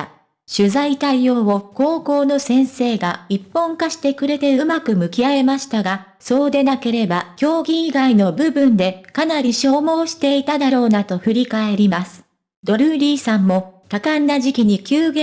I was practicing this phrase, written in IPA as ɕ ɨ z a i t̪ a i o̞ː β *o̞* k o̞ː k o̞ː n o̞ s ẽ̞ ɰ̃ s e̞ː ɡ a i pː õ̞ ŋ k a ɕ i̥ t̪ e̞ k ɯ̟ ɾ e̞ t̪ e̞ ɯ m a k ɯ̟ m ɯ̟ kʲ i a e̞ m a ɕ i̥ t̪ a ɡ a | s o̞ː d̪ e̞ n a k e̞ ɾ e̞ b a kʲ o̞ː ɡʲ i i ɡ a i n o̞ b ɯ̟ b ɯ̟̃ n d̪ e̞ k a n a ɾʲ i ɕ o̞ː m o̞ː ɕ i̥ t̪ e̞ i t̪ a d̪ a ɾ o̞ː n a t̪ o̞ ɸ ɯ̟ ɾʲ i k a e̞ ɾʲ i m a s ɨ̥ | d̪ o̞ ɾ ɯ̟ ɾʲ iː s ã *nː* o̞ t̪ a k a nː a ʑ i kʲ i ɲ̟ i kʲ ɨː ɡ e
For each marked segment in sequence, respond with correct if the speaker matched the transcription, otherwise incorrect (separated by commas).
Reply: correct, incorrect